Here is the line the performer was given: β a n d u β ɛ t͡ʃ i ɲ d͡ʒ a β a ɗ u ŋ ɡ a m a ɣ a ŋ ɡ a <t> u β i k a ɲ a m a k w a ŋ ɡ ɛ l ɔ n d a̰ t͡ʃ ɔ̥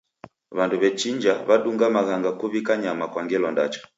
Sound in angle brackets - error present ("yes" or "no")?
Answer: yes